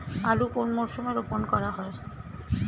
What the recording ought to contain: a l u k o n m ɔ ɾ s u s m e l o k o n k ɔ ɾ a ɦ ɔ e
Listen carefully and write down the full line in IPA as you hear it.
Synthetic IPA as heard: a l u k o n m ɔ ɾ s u m e ɾ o p o n k ɔ ɾ a ɦ ɔ e